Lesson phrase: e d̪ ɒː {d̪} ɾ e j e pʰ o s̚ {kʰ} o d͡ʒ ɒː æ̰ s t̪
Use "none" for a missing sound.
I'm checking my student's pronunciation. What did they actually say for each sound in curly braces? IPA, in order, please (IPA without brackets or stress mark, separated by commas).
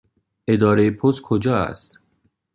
none, kʰ